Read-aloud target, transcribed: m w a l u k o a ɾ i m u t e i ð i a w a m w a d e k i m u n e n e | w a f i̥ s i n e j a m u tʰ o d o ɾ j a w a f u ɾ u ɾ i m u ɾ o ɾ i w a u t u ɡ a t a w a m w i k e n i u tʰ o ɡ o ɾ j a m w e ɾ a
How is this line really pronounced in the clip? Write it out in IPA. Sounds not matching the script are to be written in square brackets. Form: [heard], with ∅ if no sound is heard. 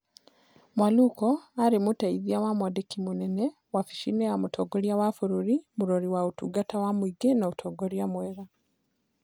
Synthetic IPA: m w a l u k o a ɾ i m u t [a] i ð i a w a m w a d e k i m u n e n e | w a f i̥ [ʃ] i n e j a m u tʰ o [ɡ] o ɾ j a w a f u ɾ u ɾ i m u ɾ o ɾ i w a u t u ɡ a t a w a m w i [ɡ] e n [a] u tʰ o ɡ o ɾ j a m w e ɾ a